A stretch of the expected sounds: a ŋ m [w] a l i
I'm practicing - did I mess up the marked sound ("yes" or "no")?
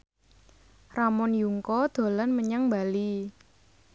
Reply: yes